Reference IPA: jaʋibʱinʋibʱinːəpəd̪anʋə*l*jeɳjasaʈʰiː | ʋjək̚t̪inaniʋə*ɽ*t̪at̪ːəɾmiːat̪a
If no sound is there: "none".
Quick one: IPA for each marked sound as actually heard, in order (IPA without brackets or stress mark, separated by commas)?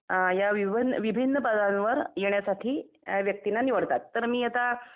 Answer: ɾ, ɽ